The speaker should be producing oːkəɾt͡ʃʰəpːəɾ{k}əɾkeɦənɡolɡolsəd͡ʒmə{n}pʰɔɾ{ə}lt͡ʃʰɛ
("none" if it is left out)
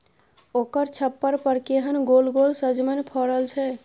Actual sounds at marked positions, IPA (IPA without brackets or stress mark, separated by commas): p, n, ə